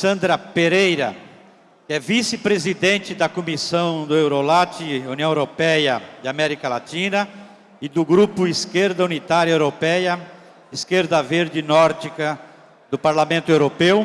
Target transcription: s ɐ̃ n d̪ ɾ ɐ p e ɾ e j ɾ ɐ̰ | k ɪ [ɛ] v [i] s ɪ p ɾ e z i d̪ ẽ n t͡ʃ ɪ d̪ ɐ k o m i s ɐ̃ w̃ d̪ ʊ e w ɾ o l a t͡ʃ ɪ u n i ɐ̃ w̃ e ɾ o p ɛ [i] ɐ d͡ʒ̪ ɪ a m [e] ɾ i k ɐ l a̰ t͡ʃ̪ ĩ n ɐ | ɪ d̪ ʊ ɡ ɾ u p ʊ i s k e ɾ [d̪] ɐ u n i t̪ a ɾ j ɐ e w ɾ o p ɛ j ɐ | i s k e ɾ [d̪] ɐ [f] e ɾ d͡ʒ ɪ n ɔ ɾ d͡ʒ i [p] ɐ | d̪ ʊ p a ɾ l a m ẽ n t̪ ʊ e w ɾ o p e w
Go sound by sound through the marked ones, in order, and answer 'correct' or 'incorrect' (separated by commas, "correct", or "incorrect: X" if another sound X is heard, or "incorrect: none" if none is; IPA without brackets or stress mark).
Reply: correct, correct, incorrect: j, incorrect: ɛ, correct, correct, incorrect: v, incorrect: k